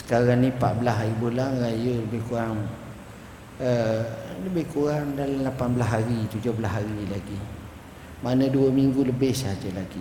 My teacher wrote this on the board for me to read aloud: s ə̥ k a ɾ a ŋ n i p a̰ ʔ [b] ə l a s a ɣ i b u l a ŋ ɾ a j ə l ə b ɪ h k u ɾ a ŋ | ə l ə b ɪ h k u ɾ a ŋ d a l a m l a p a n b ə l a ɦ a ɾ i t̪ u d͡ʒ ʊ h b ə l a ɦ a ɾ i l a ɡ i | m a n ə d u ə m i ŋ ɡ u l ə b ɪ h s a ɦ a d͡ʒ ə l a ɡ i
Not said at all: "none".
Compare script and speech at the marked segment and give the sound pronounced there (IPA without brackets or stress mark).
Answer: b